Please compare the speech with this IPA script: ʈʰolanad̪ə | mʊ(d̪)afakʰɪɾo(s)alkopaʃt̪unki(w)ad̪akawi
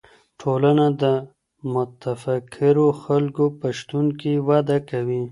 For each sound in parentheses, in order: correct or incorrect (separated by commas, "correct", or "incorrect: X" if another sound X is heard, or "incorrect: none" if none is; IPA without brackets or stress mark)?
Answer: incorrect: t̪, incorrect: x, correct